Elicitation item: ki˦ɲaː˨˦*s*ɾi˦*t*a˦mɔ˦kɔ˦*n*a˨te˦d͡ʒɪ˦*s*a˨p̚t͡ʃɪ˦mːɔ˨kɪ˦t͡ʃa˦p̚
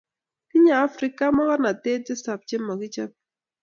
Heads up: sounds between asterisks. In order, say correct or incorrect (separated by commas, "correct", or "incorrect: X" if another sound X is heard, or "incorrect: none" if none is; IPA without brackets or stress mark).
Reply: incorrect: f, incorrect: k, correct, correct